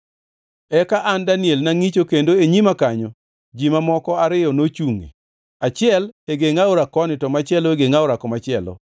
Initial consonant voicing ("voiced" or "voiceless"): voiceless